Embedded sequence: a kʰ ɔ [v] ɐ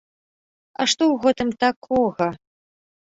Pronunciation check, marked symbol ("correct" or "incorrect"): incorrect